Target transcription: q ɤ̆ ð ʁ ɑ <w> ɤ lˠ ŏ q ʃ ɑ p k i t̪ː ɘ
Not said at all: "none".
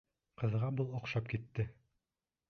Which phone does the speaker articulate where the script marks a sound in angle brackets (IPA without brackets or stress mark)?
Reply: b